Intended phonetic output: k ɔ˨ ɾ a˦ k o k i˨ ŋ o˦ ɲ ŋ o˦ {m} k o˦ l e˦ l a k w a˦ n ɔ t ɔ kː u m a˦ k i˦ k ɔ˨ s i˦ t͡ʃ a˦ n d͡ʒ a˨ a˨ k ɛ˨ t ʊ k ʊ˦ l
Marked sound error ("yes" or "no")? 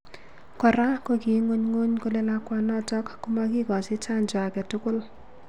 yes